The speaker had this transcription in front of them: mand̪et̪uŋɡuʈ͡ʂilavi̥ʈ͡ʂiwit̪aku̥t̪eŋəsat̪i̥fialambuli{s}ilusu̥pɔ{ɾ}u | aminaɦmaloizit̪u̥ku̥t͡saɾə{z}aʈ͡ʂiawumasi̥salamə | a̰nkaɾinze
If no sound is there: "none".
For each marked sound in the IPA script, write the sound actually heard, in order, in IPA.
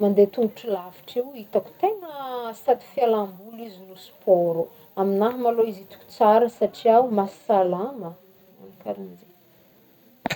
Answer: z, ɾ, s

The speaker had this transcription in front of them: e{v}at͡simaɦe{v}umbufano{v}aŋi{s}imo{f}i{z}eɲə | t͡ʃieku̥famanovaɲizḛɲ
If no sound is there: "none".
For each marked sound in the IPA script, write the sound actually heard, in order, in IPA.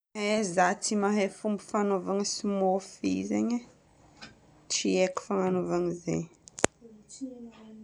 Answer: z, f, v, s, f, z

